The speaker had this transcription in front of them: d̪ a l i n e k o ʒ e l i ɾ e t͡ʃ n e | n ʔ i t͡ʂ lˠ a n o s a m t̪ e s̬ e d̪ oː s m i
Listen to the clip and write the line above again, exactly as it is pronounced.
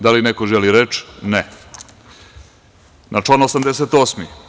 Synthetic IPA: d̪ a l i n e k o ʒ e l i ɾ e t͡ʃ n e | n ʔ a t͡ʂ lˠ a n o s a m d̪ e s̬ e t̪ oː s m i